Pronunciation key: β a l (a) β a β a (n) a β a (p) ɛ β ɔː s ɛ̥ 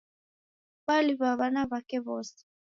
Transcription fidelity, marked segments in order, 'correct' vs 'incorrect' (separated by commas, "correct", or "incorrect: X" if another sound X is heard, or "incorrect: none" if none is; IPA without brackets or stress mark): incorrect: i, correct, incorrect: k